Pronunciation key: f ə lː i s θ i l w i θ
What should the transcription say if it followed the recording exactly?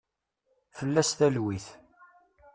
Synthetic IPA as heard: f ə lː æ s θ æ l w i θ